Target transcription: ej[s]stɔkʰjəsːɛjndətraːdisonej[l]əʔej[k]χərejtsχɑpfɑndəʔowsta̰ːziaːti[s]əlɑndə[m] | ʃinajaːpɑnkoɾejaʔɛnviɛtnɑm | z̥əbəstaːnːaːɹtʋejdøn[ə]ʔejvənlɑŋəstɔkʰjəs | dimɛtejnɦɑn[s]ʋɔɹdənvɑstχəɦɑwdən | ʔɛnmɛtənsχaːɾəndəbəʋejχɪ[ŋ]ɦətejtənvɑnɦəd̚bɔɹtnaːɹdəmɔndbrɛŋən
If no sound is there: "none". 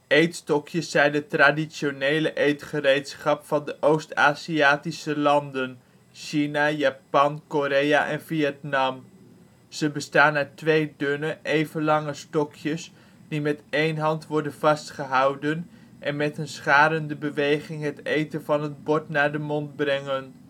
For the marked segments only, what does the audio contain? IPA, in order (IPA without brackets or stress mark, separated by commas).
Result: t, l, t, s, n, ə, t, ŋ